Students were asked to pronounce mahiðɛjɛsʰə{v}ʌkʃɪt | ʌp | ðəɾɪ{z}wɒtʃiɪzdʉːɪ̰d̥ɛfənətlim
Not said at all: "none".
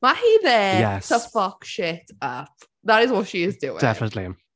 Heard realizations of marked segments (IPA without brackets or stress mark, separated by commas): f, z